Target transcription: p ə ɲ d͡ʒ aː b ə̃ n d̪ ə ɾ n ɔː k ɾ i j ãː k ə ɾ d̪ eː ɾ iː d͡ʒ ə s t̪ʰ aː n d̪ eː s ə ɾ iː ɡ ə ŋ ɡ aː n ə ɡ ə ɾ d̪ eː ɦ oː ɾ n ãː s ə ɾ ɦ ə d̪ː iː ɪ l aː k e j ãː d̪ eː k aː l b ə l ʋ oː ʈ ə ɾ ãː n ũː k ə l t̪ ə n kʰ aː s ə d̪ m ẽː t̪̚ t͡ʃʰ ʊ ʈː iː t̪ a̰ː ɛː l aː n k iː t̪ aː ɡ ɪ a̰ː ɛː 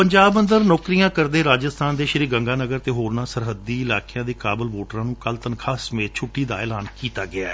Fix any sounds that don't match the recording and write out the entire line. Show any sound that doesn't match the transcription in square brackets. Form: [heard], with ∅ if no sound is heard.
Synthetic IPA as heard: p ə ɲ d͡ʒ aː b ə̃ n d̪ ə ɾ n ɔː k ɾ i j ãː k ə ɾ d̪ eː ɾ [aː] d͡ʒ ə s t̪ʰ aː n d̪ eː [ʃ] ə ɾ iː ɡ ə ŋ ɡ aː n ə ɡ ə ɾ [t̪] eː ɦ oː ɾ n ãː s ə ɾ ɦ ə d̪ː iː ɪ l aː k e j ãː d̪ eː k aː [∅] b ə l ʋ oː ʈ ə ɾ ãː n ũː k ə l t̪ ə n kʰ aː s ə [∅] m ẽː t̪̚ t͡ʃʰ ʊ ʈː iː [d̪] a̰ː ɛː l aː n k iː t̪ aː ɡ ɪ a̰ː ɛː